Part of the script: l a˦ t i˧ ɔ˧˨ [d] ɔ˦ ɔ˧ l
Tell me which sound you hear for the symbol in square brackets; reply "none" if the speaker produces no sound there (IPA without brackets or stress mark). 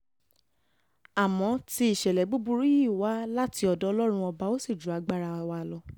d